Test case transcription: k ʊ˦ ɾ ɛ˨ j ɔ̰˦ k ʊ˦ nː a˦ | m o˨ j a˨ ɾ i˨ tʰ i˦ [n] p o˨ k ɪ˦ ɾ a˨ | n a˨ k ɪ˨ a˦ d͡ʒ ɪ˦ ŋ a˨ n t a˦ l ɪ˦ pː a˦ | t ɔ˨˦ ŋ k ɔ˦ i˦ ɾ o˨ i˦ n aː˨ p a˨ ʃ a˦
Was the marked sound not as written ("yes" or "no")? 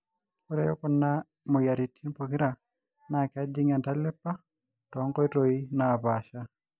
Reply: no